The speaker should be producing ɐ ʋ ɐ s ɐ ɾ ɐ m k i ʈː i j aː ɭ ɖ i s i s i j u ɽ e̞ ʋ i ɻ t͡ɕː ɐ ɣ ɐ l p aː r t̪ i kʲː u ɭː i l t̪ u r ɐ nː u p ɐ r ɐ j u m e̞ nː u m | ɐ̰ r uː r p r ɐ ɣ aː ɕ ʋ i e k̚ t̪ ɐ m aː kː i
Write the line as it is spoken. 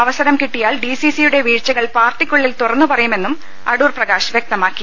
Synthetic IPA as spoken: ɐ ʋ ɐ s ɐ ɾ ɐ m k i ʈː i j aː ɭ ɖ i s i s i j u ɽ e̞ ʋ iː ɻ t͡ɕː ɐ ɣ ɐ ɭ p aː r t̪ i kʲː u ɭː i l t̪ u r ɐ nː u p ɐ r ɐ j u m e̞ nː u m | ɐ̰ ɽ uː r p r ɐ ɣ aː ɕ ʋ j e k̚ t̪ ɐ m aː kː i

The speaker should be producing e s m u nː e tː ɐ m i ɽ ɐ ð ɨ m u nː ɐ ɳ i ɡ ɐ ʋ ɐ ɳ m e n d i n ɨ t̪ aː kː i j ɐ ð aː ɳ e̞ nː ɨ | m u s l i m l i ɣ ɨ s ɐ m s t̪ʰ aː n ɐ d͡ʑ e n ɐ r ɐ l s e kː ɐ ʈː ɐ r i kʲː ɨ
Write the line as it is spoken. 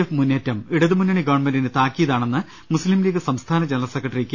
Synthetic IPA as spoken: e f m u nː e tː ɐ m i ɽ ɐ ð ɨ m u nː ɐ ɳ i ɡ ɐ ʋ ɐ ɳ m e n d i n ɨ t̪ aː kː i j ɐ ð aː ɳ e̞ nː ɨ | m u s l i m l iː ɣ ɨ s ɐ m s t̪ʰ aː n ɐ d͡ʑ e n ɐ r ɐ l s e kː ɐ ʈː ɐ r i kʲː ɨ

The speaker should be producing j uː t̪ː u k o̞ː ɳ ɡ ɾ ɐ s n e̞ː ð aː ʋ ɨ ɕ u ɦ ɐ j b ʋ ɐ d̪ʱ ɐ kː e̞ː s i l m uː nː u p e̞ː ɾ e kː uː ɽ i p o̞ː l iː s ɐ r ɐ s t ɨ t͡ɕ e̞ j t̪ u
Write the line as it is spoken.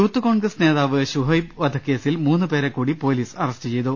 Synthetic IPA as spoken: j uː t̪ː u k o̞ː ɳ ɡ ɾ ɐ s n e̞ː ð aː ʋ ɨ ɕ u ɦ ɐ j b ʋ ɐ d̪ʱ ɐ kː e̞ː s i l m uː nː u p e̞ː ɾ e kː uː ɽ i p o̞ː l iː s ɐ r ɐ s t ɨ t͡ɕ e̞ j t̪ u

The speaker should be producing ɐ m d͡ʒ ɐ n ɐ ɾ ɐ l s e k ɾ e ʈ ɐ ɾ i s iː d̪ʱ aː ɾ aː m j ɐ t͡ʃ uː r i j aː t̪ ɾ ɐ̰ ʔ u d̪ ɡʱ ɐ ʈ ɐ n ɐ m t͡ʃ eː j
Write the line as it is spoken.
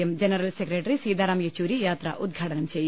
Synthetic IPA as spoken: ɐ m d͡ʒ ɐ n ɐ ɾ ɐ l s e k ɾ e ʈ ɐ ɾ i s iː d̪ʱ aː ɾ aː m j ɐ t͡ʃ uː ɾ i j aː t̪ ɾ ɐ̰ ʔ u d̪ ɡʱ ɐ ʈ ɐ n ɐ m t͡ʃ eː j

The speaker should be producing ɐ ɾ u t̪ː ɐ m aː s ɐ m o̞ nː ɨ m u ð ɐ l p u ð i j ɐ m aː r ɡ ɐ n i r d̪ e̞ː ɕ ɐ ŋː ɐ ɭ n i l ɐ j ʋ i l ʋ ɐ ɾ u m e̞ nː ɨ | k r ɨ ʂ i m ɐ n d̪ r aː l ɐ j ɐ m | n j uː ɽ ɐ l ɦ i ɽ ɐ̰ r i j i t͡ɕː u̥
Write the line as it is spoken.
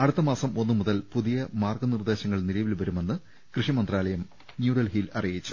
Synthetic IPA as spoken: ɐ ɽ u t̪ː ɐ m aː s ɐ m o̞ nː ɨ m u ð ɐ l p u ð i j ɐ m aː r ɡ ɐ n i r d̪ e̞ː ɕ ɐ ŋː ɐ ɭ n i l ɐ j ʋ i l ʋ ɐ ɾ u m e̞ nː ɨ | k r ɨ ʂ i m ɐ n d̪ r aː l ɐ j ɐ m | n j uː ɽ ɐ l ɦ i l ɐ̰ r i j i t͡ɕː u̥

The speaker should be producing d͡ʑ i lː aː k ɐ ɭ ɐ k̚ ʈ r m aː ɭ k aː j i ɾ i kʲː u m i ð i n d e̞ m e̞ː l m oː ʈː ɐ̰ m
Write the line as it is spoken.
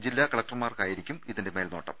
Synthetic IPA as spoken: d͡ʑ i lː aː k ɐ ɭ ɐ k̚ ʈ r m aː r k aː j i ɾ i kʲː u m i ð i n d e̞ m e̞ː l n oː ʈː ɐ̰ m

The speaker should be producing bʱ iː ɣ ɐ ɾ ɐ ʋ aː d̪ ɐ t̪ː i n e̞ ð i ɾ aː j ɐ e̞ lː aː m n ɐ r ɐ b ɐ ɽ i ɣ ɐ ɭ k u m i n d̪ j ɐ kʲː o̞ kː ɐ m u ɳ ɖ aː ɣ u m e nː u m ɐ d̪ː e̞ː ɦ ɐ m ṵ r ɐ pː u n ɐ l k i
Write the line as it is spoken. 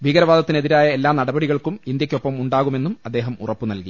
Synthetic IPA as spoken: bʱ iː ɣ ɐ ɾ ɐ ʋ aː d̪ ɐ t̪ː i n e̞ ð i ɾ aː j ɐ e̞ lː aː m n ɐ ɽ ɐ b ɐ ɽ i ɣ ɐ ɭ k u m i n d̪ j ɐ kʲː o̞ pː ɐ m u ɳ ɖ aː ɣ u m e nː u m ɐ d̪ː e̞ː ɦ ɐ m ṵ r ɐ pː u n ɐ l k i

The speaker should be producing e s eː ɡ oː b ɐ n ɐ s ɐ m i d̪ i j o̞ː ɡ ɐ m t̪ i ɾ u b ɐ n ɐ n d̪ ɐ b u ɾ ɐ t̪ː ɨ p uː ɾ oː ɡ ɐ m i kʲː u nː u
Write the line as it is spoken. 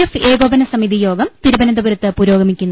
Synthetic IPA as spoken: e f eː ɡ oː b ɐ n ɐ s ɐ m i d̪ i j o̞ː ɡ ɐ m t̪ i ɾ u b ɐ n ɐ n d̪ ɐ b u ɾ ɐ t̪ː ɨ p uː ɾ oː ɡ ɐ m i kʲː u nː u

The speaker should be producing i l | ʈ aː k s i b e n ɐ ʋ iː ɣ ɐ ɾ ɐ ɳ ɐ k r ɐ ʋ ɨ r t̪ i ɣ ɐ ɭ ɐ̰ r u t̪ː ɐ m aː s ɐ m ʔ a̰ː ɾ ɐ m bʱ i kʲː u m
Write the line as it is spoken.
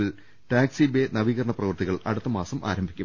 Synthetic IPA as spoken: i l | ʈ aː k s i b e n ɐ ʋ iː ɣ ɐ ɾ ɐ ɳ ɐ p r ɐ ʋ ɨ r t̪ i ɣ ɐ ɭ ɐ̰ ɽ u t̪ː ɐ m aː s ɐ m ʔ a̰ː ɾ ɐ m bʱ i kʲː u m

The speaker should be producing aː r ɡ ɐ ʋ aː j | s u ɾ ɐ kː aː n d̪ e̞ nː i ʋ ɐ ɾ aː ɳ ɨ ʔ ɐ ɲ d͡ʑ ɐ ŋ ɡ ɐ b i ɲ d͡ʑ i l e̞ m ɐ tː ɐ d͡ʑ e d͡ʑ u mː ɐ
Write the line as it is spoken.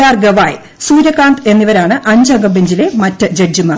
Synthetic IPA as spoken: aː r ɡ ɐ ʋ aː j | s uː ɾ ɐ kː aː n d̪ e̞ nː i ʋ ɐ ɾ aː ɳ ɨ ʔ ɐ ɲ d͡ʑ ɐ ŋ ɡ ɐ b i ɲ d͡ʑ i l e̞ m ɐ tː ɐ d͡ʑ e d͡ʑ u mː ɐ

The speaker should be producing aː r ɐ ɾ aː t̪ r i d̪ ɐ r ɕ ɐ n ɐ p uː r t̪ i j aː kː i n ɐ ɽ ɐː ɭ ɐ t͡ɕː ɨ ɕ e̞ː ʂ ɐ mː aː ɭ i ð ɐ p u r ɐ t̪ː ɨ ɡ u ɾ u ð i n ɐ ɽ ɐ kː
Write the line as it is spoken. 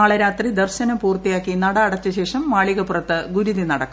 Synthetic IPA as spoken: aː ɭ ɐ ɾ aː t̪ r i d̪ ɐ r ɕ ɐ n ɐ p uː r t̪ i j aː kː i n ɐ ɽ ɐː ɽ ɐ t͡ɕː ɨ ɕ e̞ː ʂ ɐ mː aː ɭ i ɣ ɐ p u r ɐ t̪ː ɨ ɡ u ɾ u ð i n ɐ ɽ ɐ kː

